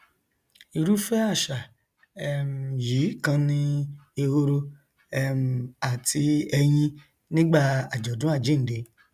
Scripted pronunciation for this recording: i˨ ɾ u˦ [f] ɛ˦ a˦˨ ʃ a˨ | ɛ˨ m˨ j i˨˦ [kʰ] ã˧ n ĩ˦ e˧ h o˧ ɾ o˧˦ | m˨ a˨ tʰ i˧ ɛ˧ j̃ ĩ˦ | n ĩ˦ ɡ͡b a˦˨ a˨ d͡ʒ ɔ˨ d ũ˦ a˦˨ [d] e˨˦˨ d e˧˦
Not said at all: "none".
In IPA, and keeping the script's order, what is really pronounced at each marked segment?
f, k, d͡ʒ

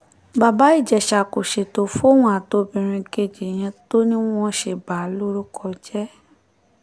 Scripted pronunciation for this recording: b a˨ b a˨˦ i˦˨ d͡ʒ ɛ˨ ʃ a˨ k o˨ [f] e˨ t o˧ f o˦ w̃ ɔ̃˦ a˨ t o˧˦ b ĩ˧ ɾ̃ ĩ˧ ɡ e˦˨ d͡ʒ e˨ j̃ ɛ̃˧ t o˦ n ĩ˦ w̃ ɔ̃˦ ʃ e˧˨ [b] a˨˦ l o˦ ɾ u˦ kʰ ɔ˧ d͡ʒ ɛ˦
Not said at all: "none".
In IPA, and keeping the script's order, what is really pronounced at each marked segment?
ʃ, b

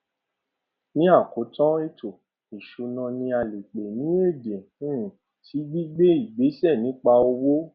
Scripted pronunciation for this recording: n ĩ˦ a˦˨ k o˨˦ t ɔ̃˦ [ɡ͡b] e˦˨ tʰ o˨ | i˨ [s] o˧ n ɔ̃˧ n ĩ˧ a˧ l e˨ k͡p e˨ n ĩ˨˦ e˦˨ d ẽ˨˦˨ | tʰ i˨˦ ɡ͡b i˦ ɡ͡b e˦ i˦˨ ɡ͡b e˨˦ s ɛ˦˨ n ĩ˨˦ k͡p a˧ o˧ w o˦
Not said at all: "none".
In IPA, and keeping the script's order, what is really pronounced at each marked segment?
none, ʃ

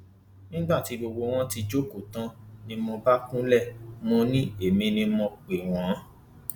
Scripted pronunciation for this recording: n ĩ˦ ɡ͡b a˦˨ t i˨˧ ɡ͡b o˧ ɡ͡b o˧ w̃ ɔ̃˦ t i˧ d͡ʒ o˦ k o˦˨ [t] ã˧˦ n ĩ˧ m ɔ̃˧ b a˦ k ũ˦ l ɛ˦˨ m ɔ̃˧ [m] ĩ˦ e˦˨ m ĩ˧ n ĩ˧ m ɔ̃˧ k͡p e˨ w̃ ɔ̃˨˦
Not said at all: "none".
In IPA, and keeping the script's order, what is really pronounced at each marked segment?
t, n

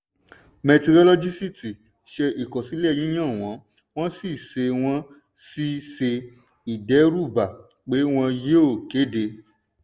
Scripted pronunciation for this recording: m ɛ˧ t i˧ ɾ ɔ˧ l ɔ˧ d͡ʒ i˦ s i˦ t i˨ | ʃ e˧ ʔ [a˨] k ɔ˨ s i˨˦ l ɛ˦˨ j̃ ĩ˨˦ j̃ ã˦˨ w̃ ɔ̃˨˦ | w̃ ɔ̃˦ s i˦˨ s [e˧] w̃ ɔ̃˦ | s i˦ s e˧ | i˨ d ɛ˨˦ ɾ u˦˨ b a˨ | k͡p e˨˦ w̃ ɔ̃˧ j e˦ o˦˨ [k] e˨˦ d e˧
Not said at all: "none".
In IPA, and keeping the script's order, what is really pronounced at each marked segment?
i˨, e˧, k

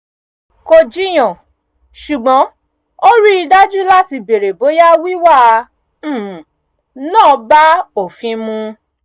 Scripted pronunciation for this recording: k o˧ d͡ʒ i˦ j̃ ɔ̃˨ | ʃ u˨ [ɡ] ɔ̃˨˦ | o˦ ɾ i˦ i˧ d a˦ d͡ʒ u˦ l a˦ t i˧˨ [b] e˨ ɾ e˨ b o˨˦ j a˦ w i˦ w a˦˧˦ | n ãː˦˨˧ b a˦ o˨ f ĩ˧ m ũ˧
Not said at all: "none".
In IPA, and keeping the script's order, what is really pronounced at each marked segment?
ɡ͡b, b

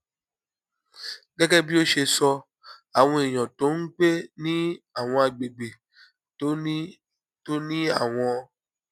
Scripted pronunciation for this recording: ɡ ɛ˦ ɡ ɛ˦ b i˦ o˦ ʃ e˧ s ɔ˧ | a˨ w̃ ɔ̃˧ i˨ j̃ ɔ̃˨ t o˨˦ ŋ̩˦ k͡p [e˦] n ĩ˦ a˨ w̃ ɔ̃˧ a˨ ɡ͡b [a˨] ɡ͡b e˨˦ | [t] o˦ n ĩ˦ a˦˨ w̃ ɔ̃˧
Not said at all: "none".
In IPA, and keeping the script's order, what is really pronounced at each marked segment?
e˦, e˨, t

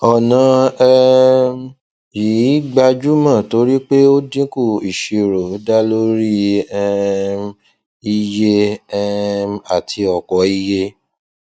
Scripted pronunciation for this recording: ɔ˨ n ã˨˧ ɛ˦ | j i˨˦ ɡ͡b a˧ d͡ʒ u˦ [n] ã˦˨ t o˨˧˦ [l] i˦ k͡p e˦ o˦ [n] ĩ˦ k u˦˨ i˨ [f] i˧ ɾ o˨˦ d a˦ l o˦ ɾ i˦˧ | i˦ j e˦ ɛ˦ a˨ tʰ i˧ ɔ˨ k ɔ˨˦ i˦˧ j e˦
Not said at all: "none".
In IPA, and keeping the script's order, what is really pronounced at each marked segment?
m, ɾ, d, ʃ

